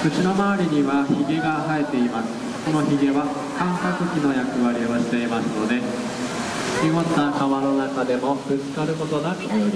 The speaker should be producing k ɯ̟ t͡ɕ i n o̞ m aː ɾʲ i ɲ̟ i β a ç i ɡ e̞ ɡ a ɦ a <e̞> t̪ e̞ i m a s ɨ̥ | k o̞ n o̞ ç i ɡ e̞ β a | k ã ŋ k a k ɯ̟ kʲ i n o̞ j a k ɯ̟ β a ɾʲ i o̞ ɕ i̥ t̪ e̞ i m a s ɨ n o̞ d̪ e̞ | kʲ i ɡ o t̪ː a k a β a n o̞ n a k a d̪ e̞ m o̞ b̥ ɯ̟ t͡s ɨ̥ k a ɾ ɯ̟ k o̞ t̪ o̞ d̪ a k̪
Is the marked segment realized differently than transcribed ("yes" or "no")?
no